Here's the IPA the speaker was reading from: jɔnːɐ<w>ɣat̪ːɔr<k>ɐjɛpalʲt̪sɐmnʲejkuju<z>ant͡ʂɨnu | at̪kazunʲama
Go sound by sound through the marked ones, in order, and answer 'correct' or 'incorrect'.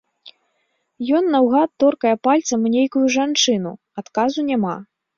correct, correct, incorrect: ʐ

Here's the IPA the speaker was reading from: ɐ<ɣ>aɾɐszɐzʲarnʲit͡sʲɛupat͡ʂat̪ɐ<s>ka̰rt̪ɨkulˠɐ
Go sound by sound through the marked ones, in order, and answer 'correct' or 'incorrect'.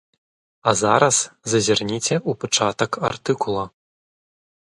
incorrect: z, incorrect: none

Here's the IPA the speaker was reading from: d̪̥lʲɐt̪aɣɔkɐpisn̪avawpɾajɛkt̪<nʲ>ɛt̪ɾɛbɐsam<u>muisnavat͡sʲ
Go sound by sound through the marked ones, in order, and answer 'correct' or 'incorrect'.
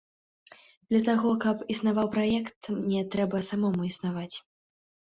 correct, incorrect: ɔ

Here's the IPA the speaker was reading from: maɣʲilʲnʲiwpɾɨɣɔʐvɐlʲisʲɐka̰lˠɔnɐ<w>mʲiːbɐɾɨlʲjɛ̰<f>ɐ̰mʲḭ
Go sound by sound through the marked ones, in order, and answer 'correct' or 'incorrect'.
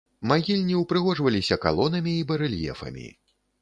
incorrect: none, correct

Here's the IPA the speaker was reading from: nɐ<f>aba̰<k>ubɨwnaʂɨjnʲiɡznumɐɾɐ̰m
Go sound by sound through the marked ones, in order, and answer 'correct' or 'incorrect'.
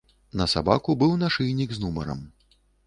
incorrect: s, correct

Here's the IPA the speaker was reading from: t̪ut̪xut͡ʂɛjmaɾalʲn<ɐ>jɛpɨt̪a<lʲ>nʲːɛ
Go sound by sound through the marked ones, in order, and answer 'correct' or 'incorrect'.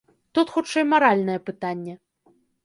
correct, incorrect: none

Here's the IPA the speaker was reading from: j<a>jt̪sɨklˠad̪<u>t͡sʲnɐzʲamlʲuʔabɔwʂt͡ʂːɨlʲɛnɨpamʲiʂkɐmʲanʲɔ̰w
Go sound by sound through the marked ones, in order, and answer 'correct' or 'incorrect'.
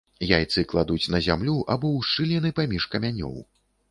correct, correct

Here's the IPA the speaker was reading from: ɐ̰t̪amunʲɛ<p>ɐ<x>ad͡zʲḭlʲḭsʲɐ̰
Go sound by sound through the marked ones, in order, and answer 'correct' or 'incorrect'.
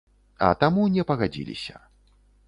correct, incorrect: ɣ

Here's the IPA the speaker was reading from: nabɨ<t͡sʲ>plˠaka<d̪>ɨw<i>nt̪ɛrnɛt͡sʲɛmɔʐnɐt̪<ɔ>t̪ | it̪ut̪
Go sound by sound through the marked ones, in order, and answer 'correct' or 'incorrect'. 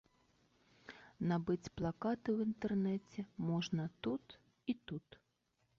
correct, incorrect: t̪, correct, incorrect: u

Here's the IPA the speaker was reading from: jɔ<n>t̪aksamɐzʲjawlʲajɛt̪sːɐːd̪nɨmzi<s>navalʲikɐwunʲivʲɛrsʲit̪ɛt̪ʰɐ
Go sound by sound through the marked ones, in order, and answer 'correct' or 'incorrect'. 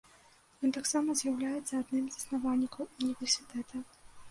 correct, correct

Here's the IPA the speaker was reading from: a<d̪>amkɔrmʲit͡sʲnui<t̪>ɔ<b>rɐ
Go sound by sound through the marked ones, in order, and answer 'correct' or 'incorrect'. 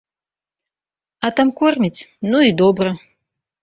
incorrect: t̪, incorrect: d̪, correct

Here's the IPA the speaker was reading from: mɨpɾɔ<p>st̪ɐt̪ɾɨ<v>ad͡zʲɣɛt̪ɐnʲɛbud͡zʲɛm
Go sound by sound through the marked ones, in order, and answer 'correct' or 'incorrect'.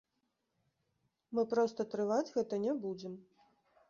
incorrect: none, correct

